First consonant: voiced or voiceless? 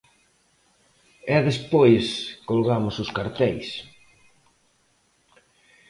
voiced